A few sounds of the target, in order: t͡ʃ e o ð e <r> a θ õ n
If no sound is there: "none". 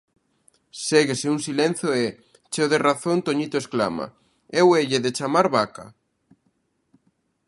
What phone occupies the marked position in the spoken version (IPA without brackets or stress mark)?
r